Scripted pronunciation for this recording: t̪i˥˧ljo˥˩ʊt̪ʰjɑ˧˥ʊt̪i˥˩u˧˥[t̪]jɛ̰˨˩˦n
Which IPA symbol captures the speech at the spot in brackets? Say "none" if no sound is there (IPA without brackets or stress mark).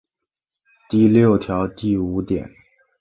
t̪